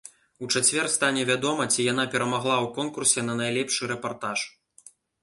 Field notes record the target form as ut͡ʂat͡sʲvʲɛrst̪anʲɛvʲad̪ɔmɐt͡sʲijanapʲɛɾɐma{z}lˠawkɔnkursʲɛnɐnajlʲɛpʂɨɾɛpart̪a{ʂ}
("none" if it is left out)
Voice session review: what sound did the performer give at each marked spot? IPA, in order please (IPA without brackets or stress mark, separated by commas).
ɣ, ʂ